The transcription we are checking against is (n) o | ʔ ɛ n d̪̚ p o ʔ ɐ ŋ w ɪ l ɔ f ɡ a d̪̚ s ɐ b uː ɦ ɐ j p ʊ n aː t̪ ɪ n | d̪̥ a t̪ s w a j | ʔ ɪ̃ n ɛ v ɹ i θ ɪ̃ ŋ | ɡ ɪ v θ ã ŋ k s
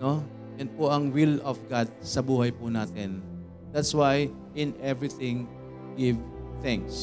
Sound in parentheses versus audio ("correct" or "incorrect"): correct